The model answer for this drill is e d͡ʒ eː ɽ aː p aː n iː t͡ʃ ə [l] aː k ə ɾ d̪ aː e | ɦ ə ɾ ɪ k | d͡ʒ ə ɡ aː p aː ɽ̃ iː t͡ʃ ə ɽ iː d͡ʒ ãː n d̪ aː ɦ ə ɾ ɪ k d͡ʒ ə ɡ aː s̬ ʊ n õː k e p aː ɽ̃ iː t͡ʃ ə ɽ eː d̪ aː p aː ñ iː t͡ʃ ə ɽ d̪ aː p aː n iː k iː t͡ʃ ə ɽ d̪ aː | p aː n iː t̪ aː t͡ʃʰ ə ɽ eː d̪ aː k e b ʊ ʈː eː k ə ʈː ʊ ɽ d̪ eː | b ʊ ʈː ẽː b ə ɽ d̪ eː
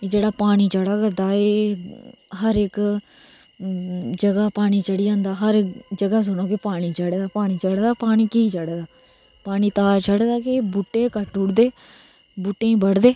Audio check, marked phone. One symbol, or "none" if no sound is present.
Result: ɽ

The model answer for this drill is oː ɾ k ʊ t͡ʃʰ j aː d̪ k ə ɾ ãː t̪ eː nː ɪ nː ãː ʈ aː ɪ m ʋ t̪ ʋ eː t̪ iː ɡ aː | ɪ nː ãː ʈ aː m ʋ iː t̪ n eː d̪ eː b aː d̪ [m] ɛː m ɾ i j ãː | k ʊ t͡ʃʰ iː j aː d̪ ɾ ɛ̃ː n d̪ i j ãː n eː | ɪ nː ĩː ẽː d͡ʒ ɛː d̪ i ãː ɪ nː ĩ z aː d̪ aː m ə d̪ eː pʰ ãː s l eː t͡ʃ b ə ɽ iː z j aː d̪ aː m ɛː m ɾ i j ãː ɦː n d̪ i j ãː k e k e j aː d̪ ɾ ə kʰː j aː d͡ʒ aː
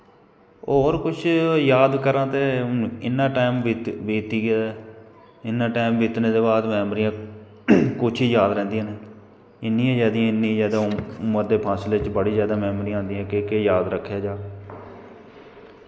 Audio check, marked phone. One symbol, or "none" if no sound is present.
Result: m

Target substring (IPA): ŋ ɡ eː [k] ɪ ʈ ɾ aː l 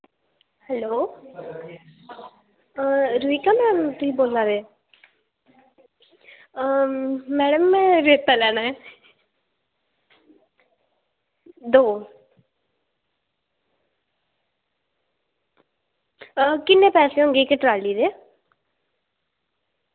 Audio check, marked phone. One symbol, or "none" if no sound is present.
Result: k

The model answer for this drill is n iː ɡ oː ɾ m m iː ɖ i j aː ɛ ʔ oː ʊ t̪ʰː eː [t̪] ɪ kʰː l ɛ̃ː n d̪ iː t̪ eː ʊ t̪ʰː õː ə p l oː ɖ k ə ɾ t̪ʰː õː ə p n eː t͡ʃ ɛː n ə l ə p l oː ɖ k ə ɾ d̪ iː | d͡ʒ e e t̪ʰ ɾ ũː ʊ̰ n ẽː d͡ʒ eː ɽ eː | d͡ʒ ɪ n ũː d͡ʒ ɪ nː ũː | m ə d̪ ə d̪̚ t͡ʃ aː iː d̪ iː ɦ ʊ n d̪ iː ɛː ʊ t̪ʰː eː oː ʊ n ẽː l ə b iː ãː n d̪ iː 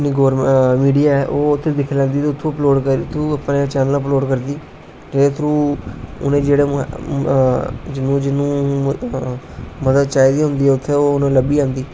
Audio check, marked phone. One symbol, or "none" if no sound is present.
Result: d̪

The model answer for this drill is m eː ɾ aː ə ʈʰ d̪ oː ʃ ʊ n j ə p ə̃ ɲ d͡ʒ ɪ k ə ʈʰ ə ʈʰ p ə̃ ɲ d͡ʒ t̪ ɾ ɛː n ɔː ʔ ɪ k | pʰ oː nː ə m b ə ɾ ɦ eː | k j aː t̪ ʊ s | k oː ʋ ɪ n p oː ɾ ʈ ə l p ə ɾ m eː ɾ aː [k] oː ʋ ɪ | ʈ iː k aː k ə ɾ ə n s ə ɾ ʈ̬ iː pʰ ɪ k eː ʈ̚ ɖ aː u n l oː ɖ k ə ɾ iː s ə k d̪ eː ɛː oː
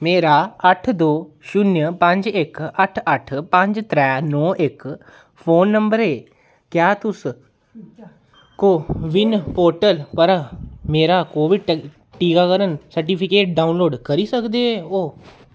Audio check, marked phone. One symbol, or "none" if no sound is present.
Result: k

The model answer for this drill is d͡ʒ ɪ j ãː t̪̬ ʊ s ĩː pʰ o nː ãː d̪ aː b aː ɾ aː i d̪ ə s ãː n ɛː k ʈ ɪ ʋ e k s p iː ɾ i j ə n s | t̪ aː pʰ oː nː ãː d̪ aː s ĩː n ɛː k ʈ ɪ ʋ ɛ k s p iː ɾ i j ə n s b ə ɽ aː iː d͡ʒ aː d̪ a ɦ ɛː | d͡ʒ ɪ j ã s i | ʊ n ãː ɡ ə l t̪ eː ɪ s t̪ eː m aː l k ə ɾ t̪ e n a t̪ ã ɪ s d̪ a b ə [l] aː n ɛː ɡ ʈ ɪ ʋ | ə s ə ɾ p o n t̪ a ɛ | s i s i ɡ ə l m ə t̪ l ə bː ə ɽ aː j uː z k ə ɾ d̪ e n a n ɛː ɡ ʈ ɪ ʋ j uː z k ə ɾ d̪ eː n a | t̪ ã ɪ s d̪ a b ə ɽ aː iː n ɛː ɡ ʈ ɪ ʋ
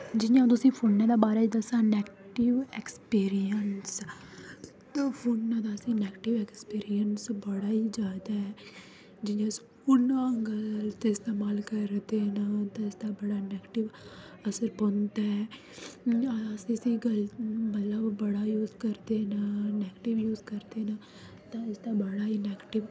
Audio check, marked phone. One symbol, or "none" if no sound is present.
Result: ɽ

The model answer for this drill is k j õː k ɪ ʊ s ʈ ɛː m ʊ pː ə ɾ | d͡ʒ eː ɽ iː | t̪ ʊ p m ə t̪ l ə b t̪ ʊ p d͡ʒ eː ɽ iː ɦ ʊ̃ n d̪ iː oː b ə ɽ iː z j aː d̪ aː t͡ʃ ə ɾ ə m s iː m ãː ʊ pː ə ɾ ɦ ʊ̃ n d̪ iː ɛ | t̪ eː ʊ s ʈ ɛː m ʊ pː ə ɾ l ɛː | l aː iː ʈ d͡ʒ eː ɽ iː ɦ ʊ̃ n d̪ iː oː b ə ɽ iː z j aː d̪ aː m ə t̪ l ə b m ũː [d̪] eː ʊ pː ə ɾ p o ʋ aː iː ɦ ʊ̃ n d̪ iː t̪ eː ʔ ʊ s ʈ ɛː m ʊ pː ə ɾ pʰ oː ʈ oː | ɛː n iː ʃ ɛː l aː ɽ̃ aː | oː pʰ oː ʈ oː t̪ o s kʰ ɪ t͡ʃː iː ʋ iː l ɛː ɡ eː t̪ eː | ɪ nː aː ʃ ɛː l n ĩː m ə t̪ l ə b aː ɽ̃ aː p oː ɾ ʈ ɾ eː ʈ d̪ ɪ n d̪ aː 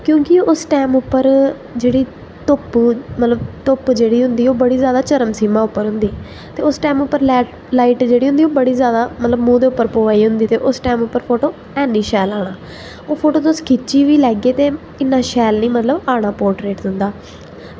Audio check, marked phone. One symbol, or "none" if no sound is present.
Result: d̪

